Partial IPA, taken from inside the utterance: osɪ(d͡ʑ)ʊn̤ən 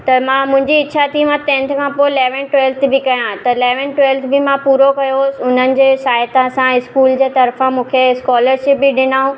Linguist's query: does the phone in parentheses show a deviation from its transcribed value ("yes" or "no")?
yes